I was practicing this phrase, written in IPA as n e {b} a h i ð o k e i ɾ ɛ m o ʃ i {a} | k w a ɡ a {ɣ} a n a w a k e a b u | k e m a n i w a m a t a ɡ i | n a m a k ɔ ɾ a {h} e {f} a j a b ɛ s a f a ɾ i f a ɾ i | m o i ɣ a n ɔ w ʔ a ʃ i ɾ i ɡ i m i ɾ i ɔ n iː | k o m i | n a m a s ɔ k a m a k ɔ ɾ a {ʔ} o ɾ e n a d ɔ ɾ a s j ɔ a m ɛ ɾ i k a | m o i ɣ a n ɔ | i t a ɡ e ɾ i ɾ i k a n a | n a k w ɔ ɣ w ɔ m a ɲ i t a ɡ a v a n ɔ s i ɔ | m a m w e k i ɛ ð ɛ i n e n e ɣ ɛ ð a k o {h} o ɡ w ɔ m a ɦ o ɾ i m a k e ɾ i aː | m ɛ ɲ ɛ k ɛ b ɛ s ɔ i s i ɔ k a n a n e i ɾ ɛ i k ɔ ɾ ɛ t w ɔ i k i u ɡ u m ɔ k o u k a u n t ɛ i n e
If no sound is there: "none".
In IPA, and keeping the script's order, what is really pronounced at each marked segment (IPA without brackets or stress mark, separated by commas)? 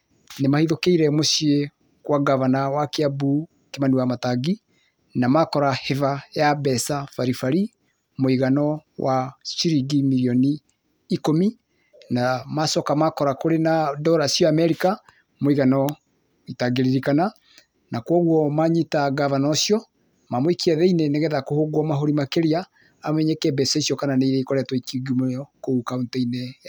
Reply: m, e, v, h, v, k, h